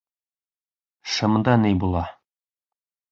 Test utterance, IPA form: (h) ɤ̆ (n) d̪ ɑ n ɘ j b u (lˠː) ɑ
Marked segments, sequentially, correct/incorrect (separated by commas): incorrect, incorrect, incorrect